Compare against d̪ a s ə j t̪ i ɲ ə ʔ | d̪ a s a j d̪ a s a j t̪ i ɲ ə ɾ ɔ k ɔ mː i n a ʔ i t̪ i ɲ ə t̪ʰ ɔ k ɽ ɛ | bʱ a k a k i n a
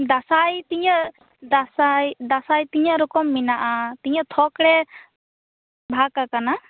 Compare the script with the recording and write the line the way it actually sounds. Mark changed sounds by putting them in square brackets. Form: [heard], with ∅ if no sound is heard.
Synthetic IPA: d̪ a s [a] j t̪ i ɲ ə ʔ | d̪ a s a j d̪ a s a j t̪ i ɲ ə ɾ ɔ k ɔ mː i n a ʔ [a] t̪ i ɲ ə t̪ʰ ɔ k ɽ ɛ | bʱ a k a k [a] n a